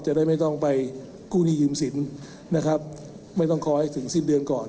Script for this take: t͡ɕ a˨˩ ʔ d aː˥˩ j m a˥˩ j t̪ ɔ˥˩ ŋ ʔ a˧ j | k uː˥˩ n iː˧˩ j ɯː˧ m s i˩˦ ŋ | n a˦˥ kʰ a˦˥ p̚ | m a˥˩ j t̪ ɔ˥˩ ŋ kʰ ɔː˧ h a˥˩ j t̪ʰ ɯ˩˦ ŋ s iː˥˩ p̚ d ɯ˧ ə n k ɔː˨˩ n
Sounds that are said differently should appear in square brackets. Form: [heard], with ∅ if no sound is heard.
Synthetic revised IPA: t͡ɕ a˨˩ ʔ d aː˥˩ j m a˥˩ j t̪ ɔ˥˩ ŋ [p] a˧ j | k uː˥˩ n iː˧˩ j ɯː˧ m s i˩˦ [n] | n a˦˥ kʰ a˦˥ p̚ | m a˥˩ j t̪ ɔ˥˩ ŋ kʰ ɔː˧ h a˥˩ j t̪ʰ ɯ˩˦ ŋ s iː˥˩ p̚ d ɯ˧ ə n k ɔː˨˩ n

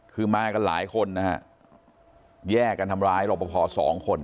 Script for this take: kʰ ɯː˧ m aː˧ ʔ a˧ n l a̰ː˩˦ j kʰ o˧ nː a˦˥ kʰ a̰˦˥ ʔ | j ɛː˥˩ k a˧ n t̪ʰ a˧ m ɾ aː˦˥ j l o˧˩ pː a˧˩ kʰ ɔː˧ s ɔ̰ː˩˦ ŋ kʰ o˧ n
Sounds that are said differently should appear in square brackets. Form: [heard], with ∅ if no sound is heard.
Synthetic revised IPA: kʰ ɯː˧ m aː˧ [k] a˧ n l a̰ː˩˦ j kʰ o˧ nː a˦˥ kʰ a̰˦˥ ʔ | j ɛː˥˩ k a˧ n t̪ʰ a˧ m ɾ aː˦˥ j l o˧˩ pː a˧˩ [pʰ] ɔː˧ s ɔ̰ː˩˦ ŋ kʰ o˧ n

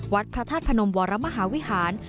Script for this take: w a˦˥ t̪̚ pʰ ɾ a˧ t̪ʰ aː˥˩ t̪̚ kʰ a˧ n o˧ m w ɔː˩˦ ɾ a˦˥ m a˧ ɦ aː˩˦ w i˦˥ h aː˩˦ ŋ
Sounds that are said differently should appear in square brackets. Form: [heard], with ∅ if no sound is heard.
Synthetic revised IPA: w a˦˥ t̪̚ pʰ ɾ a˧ t̪ʰ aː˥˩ t̪̚ [pʰ] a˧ n o˧ m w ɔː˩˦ ɾ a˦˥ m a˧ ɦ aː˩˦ w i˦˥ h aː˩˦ [n]

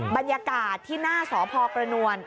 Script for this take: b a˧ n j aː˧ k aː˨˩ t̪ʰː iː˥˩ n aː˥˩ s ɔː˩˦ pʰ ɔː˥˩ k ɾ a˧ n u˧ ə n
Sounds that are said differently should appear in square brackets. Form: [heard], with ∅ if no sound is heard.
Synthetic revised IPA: b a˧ n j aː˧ k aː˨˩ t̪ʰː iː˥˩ n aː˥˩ s ɔː˩˦ pʰ [ɔː˧] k ɾ a˧ n u˧ ə n

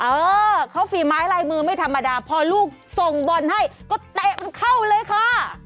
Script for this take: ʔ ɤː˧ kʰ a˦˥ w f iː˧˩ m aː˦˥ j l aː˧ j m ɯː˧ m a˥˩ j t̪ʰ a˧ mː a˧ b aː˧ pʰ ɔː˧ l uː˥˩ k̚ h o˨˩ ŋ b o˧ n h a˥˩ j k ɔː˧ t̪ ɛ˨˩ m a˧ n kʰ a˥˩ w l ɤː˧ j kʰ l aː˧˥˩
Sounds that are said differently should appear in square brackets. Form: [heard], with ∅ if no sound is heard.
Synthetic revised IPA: ʔ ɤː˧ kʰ a˦˥ w f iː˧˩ m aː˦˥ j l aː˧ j m ɯː˧ m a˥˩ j t̪ʰ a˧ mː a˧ [d] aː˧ pʰ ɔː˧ l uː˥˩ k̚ [s] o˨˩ ŋ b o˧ n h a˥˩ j k [ɔː˥˩] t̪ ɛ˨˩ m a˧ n kʰ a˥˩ w l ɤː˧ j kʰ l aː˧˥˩

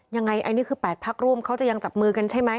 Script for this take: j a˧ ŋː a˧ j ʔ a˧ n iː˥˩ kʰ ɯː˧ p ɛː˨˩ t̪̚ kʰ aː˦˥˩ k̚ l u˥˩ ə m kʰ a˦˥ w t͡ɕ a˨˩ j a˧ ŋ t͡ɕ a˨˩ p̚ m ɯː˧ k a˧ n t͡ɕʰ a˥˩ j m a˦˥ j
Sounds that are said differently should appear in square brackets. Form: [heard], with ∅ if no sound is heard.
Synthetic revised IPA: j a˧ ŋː a˧ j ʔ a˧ n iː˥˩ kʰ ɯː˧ p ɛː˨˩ t̪̚ [pʰ] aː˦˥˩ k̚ [ɾ] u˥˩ ə m kʰ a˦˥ w t͡ɕ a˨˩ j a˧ ŋ t͡ɕ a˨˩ p̚ m ɯː˧ k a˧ n t͡ɕʰ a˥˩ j m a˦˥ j

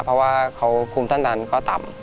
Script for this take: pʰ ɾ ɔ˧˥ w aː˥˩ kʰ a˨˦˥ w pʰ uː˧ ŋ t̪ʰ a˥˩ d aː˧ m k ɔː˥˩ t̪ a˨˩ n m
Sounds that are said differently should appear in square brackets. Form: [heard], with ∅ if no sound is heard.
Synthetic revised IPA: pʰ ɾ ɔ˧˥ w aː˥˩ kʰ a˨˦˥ w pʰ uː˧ [m] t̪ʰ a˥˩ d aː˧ [n] k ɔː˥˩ t̪ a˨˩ [∅] m

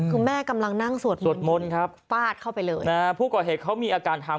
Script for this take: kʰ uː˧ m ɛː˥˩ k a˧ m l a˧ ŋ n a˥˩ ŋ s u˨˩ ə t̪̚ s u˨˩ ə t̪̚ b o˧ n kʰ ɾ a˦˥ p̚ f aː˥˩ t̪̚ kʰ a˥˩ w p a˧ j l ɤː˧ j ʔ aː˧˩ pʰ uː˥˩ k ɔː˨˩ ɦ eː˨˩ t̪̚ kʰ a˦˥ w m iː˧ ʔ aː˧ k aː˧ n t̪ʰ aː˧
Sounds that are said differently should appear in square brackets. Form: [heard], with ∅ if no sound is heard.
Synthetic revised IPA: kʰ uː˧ m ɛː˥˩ k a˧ m l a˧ ŋ n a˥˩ ŋ s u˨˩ ə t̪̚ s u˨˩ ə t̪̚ [m] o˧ n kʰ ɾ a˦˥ p̚ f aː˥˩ t̪̚ kʰ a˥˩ w p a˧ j l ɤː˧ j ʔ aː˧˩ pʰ uː˥˩ k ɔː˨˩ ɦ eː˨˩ t̪̚ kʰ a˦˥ w m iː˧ ʔ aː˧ k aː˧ n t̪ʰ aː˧

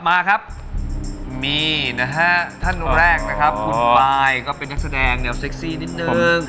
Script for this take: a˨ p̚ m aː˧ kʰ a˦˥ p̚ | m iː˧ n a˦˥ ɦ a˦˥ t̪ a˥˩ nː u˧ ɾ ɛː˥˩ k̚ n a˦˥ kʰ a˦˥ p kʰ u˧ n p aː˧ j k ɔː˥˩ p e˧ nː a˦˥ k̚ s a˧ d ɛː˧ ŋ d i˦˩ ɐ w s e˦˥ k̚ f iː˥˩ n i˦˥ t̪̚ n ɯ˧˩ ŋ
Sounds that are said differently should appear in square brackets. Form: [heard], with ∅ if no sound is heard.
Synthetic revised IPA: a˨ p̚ m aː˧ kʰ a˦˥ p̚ | m iː˧ n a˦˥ ɦ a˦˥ [t̪ʰ] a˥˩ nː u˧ ɾ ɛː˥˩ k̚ n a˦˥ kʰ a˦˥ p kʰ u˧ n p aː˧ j k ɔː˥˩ p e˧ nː a˦˥ k̚ s a˧ d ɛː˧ ŋ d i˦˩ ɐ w s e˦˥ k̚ [s] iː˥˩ n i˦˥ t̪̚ n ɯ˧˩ ŋ

